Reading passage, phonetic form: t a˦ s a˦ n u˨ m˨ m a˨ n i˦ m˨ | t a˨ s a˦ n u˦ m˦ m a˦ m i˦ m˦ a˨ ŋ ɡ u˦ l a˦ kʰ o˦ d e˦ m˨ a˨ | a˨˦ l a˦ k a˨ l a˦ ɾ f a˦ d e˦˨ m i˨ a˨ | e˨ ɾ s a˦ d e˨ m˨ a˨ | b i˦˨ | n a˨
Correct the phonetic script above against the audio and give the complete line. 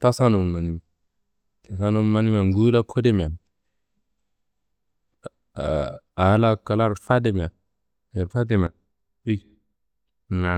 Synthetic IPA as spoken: t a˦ s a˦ n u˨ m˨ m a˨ n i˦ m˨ | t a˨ s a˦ n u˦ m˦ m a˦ n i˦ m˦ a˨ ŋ ɡ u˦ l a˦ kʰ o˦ d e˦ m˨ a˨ | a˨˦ l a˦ k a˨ l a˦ ɾ f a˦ d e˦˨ m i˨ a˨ | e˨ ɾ f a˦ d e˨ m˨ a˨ | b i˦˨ | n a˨